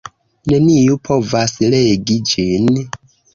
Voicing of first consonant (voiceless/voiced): voiced